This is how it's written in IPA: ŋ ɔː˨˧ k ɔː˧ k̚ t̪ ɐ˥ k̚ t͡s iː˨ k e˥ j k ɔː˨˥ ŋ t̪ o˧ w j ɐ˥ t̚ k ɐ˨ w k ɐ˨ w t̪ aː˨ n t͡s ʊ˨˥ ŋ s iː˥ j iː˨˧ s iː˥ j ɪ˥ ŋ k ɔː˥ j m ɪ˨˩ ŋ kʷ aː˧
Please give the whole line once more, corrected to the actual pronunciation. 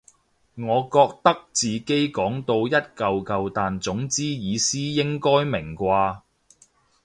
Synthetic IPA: ŋ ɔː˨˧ k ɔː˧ k̚ t̪ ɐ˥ k̚ t͡s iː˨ k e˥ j k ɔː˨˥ ŋ t̪ o˧ w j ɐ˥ t̚ k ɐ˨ w k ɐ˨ w t̪ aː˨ n t͡s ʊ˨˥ ŋ t͡s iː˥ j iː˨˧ s iː˥ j ɪ˥ ŋ k ɔː˥ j m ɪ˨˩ ŋ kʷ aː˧